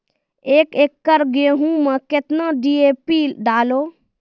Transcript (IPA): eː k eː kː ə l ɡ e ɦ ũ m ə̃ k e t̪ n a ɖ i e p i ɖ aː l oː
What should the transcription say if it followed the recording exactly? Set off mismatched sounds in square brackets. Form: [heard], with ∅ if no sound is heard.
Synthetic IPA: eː k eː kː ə [ɾ] ɡ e ɦ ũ m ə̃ k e t̪ n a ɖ i e p i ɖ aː l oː

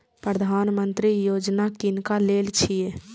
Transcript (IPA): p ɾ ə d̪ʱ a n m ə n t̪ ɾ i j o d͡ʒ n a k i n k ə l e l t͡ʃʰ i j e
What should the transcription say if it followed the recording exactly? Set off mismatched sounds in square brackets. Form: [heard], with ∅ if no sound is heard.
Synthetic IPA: p ɾ ə d̪ʱ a n m ə n t̪ ɾ i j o d͡ʒ n a k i n k [a] l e l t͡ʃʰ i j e

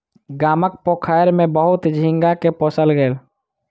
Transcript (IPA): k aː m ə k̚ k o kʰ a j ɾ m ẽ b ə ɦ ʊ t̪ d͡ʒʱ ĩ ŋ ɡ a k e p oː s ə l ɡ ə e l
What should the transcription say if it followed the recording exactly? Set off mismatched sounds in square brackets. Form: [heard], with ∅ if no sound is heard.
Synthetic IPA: [ɡ] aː m ə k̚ [p] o kʰ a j ɾ m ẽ b ə ɦ ʊ t̪ d͡ʒʱ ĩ ŋ ɡ a k e p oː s ə l ɡ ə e l

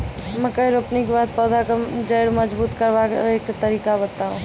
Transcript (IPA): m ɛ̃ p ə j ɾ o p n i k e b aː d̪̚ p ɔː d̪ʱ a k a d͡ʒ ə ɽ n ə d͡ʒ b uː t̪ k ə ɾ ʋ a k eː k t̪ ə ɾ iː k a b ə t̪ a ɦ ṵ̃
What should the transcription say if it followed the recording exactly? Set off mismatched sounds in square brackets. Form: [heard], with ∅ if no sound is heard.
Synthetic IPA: m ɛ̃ [k] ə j ɾ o p n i k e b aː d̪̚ p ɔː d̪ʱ a k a d͡ʒ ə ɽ [m] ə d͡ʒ b uː t̪ k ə ɾ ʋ a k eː k t̪ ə ɾ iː k a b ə t̪ a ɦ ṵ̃

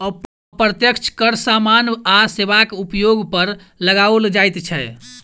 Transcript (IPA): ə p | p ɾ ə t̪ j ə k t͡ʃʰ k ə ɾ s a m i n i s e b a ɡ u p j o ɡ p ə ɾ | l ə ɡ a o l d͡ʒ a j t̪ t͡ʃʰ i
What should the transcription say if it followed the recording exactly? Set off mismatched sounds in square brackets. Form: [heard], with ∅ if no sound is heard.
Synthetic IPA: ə p | p ɾ ə t̪ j ə k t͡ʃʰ k ə ɾ s a m [a] n [a] s e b a [k] u p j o ɡ p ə ɾ | l ə ɡ a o l d͡ʒ a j t̪ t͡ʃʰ [ɛ]

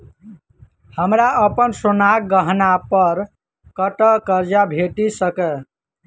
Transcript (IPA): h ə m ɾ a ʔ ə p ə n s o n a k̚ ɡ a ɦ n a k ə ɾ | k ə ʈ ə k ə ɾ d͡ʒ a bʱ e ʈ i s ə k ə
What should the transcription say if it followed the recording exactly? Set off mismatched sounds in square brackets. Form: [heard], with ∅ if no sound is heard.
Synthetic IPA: h ə m ɾ a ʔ ə p ə n s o n a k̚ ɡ [ə] ɦ n a [p] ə ɾ | k ə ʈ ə k ə ɾ d͡ʒ a bʱ e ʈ i s ə k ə

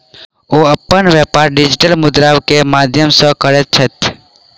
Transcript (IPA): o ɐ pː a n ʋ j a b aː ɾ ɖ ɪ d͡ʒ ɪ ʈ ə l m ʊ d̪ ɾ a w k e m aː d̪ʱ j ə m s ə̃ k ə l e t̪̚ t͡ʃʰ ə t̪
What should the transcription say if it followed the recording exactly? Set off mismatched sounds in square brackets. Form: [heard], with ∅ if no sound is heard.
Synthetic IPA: o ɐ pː [ə] n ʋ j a [p] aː ɾ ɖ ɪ d͡ʒ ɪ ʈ ə l m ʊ d̪ ɾ a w k e m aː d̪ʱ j ə m s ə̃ k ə [ɾ] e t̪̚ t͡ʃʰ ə t̪

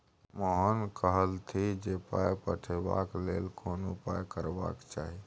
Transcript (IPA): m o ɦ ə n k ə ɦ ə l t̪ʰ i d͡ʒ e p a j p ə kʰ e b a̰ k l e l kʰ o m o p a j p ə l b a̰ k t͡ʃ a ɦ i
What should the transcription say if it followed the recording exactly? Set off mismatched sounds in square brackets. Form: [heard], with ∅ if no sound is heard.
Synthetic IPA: m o ɦ ə n k ə ɦ ə l t̪ʰ i d͡ʒ e p a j p ə [ʈʰ] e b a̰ k l e l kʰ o [n] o p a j [k] ə [ɾ] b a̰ k t͡ʃ a ɦ i

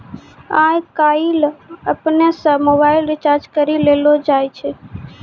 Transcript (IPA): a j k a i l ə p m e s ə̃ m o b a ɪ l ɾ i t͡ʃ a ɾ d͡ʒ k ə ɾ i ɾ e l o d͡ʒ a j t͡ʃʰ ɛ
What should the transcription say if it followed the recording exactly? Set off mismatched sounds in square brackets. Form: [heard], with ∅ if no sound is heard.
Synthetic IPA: a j k a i l ə p [n] e s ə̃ m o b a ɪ l ɾ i t͡ʃ a ɾ d͡ʒ k ə ɾ i [l] e l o d͡ʒ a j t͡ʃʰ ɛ

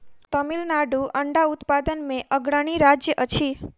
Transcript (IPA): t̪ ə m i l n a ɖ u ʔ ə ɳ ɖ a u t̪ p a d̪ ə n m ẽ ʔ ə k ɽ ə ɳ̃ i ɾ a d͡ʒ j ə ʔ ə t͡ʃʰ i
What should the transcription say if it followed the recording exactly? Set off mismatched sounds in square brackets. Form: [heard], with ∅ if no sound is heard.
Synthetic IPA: t̪ ə m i l n a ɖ u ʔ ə ɳ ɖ a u t̪ p a d̪ ə n m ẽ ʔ ə [ɡ] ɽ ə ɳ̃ i ɾ a d͡ʒ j ə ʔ ə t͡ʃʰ i

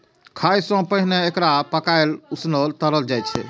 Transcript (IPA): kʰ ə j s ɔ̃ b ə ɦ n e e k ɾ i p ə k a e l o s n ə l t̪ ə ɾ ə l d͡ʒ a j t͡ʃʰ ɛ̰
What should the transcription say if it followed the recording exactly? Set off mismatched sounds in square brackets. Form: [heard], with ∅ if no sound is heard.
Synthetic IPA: kʰ [a] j s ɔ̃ [p] ə ɦ n e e k ɾ [a] p ə k a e l [u] s n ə l t̪ ə ɾ ə l d͡ʒ a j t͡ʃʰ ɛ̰

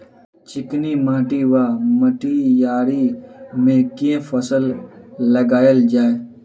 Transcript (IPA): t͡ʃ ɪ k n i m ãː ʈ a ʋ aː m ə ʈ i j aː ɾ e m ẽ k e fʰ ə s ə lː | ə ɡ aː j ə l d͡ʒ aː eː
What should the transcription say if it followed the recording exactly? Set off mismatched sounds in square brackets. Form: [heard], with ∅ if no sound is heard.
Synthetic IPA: t͡ʃ ɪ k n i m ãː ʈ [i] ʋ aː m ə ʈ i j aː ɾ [i] m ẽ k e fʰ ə s ə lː | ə ɡ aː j ə l d͡ʒ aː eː

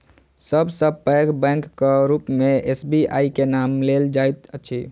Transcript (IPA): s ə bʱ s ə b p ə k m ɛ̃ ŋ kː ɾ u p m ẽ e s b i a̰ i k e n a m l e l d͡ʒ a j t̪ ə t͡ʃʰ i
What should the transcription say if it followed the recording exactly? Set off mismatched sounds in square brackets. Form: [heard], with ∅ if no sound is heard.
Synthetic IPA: s ə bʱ s ə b p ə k [b] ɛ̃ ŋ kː ɾ u p m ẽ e s b i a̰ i k e n a m l e l d͡ʒ a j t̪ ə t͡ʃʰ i

